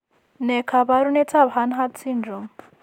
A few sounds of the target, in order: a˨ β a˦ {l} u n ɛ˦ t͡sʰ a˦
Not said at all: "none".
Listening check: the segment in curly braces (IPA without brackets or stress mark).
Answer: ɾ